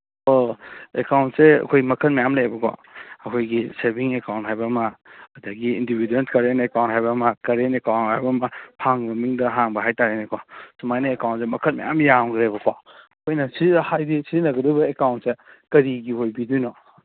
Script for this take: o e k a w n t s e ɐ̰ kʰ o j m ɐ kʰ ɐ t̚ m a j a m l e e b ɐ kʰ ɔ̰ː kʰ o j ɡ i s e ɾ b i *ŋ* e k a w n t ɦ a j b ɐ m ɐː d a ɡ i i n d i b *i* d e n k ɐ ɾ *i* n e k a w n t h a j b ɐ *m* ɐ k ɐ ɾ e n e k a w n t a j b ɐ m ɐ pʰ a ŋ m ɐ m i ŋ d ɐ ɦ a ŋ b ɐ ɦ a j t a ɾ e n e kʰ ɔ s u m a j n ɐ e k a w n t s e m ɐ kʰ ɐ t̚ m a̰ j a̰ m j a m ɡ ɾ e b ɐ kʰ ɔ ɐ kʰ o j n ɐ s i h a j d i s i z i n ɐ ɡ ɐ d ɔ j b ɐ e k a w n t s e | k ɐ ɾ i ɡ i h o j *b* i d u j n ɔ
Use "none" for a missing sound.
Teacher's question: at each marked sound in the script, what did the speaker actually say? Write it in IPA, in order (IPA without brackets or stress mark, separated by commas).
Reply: ŋ, i, e, m, b